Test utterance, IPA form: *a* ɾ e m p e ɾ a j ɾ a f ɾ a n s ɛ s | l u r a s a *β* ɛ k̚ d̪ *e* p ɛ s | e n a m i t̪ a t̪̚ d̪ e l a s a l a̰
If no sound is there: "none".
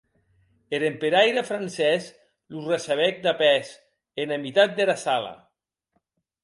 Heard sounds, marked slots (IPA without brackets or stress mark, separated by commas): e, β, a